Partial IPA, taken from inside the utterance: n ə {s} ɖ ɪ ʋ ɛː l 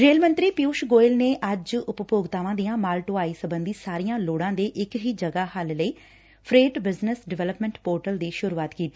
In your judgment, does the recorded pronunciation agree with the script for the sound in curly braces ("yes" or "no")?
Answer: yes